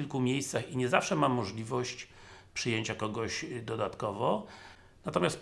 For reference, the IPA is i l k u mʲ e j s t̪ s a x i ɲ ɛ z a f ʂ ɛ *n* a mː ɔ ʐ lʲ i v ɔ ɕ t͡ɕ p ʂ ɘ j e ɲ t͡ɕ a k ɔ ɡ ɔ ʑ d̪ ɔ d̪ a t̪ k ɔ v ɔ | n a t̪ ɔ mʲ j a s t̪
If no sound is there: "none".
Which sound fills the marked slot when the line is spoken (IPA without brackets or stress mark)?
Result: m